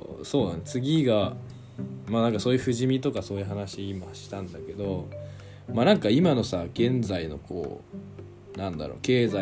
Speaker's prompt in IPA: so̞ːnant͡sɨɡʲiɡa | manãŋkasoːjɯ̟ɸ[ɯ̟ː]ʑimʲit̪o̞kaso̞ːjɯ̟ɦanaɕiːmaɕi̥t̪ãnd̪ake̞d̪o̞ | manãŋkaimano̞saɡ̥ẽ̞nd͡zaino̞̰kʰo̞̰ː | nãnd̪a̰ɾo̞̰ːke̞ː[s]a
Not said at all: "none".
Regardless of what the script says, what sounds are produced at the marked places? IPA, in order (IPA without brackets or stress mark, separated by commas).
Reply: ɯ̟, z